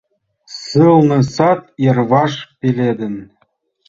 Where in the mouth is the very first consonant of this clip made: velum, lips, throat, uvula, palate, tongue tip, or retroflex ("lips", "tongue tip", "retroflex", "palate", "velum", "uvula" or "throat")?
tongue tip